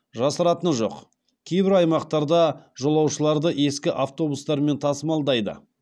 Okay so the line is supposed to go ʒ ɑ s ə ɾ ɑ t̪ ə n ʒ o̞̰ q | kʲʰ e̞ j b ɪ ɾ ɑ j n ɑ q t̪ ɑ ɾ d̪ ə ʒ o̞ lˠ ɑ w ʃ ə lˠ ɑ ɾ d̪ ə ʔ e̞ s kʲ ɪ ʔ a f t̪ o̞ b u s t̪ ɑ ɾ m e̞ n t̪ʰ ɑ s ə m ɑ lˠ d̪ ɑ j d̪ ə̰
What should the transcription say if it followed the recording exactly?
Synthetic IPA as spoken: ʒ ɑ s ə ɾ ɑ t̪ ə n ʒ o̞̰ q | kʲʰ e̞ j b ɪ ɾ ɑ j m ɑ q t̪ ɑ ɾ d̪ ɑ ʒ o̞ lˠ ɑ w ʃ ə lˠ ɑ ɾ d̪ ə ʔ e̞ s kʲ ɪ ʔ a f t̪ o̞ b u s t̪ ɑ ɾ m e̞ n t̪ʰ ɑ s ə m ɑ lˠ d̪ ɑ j d̪ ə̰